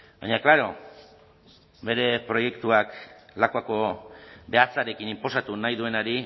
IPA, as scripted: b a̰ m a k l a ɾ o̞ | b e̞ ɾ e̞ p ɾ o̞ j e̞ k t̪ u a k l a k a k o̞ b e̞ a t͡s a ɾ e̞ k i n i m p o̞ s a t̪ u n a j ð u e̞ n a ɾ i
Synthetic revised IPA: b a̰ ɲ a k l a ɾ o̞ | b e̞ ɾ e̞ p ɾ o̞ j e̞ k t̪ u a k l a k a k o̞ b e̞ a t͡s a ɾ e̞ k i n i m p o̞ s a t̪ u n a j ð u e̞ n a ɾ i